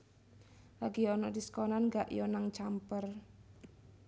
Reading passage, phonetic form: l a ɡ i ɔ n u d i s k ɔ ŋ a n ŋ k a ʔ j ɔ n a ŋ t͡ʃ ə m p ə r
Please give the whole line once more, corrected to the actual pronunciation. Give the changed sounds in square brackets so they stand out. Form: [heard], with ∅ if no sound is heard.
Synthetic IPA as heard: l a ɡ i ɔ n [ɔ] d i s k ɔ [n] a n ŋ [ɡ] a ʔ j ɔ n a ŋ t͡ʃ [a] m p ə r